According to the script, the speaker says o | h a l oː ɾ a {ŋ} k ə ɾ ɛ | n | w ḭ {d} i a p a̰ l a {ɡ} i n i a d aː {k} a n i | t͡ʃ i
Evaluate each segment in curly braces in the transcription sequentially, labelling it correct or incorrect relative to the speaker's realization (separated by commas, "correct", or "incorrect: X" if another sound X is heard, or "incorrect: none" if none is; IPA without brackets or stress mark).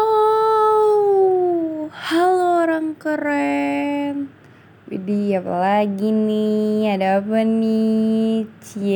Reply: correct, correct, correct, incorrect: p